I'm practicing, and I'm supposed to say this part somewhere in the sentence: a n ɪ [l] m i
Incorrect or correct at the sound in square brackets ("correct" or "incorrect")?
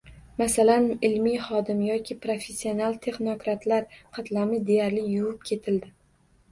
correct